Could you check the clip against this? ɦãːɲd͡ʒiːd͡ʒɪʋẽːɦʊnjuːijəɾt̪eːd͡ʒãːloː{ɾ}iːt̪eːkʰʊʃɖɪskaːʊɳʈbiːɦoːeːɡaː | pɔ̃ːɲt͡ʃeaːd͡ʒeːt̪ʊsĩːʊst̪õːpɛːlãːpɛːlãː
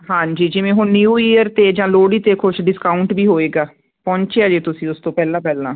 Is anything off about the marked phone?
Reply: yes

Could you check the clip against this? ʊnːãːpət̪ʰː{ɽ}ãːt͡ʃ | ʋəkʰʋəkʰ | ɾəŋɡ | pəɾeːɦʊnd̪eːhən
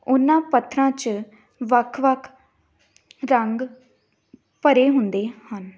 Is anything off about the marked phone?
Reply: yes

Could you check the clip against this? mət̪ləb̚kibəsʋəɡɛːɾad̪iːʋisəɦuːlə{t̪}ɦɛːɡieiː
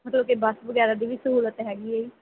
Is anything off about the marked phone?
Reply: no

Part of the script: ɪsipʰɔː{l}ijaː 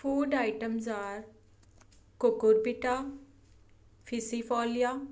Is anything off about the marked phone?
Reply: no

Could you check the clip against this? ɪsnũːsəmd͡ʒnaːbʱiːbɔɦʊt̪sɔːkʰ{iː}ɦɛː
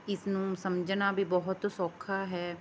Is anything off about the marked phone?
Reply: yes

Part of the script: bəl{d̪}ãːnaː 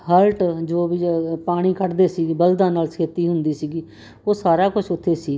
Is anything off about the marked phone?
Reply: no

